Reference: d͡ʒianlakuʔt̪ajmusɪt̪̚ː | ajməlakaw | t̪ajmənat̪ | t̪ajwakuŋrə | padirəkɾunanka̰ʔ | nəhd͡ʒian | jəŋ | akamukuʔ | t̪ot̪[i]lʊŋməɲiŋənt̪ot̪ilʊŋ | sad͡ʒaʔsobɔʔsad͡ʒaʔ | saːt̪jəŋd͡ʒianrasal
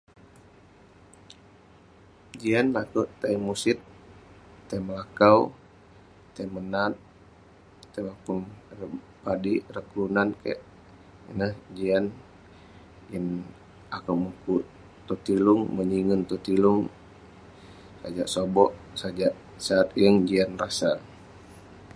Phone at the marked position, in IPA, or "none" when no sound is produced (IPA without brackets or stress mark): i